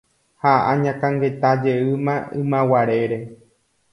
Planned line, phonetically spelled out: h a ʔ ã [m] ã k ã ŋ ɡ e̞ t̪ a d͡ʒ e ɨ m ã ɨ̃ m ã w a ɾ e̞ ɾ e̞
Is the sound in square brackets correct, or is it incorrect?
incorrect